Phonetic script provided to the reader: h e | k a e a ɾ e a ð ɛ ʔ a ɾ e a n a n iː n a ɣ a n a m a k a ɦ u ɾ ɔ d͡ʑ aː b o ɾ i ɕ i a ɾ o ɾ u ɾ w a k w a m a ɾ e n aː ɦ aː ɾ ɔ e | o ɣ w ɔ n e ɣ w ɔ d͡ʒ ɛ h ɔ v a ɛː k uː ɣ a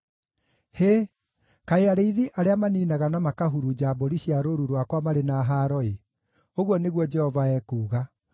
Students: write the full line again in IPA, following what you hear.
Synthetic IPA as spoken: h e | k a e a ɾ e i ð i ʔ a ɾ e a m a n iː n a ɣ a n a m a k a ɦ u ɾ u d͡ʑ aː b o ɾ i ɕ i a ɾ o ɾ u ɾ w a k w a m a ɾ e n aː ɦ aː ɾ ɔ e | o ɣ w ɔ n e ɣ w ɔ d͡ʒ ɛ h ɔ v a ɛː k uː ɣ a